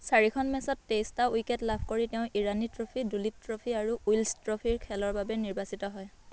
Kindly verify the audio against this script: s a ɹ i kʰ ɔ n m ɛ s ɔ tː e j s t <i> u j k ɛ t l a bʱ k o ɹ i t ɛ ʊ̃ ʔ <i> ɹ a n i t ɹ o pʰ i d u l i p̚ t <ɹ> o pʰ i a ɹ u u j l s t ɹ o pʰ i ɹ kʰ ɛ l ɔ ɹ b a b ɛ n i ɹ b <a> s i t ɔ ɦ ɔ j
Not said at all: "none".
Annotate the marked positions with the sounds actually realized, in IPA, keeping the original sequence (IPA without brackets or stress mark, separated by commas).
a, i, ɹ, a